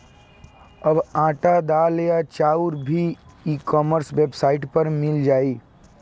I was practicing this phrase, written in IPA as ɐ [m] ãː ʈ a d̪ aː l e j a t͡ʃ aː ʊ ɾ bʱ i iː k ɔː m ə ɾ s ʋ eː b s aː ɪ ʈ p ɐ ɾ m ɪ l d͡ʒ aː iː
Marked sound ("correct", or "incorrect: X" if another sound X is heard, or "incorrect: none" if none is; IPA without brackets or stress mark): incorrect: b